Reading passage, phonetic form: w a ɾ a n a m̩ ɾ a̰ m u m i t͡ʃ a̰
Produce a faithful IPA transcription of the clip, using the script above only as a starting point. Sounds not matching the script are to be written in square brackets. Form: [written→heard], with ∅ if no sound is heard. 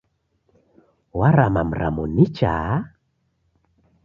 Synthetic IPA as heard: w a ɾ a [n→m] a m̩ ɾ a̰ m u [m→n] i t͡ʃ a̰